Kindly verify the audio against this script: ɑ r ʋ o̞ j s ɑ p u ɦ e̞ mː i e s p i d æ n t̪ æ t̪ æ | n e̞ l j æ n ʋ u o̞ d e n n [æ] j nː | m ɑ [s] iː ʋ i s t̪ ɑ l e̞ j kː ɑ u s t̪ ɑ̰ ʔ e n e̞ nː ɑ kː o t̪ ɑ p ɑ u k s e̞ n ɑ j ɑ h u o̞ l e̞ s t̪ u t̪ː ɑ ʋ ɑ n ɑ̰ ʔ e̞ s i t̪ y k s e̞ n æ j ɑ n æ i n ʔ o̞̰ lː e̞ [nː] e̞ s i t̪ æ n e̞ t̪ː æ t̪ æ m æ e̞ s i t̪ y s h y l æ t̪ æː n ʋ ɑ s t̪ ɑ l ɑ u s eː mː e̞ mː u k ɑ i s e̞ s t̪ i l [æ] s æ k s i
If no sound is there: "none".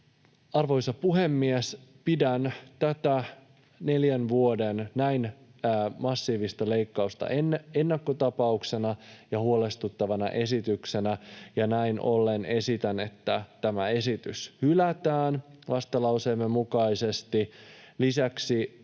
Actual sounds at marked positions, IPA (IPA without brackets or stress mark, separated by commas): æ, sː, n, i